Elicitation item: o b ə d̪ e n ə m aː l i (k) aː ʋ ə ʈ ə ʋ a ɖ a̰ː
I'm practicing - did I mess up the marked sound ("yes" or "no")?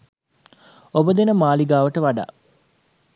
yes